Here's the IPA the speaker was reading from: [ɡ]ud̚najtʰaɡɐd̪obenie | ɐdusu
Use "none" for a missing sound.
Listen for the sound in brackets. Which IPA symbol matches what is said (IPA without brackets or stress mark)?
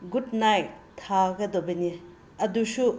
ɡ